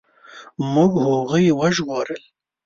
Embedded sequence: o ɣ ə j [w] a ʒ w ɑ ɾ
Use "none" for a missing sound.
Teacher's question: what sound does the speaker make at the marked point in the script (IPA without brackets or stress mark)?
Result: w